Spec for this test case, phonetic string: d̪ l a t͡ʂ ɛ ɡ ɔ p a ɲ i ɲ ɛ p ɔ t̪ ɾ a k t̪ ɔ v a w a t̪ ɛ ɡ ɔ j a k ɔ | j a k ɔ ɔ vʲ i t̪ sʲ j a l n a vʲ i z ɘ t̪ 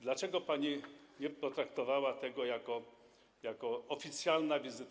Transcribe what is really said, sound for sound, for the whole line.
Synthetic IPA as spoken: d̪ l a t͡ʂ ɛ ɡ ɔ p a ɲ i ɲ ɛ p ɔ t̪ ɾ a k t̪ ɔ v a w a t̪ ɛ ɡ ɔ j a k ɔ | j a k ɔ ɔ fʲ i t̪ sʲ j a l n a vʲ i z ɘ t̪